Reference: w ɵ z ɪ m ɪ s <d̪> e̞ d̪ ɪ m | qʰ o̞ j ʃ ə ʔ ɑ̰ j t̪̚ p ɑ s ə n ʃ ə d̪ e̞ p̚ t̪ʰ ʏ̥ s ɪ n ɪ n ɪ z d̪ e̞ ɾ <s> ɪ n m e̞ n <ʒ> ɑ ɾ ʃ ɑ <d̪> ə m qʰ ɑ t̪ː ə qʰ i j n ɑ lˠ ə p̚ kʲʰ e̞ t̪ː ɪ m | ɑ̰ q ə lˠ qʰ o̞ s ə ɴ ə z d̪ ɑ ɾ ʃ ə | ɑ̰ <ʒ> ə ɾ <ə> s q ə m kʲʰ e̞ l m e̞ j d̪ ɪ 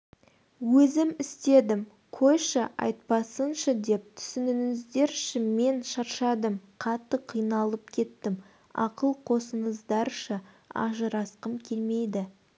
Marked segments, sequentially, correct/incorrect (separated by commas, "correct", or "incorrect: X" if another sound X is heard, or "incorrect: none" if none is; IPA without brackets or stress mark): incorrect: t̪, incorrect: ʃ, incorrect: ʃ, correct, correct, incorrect: ɑ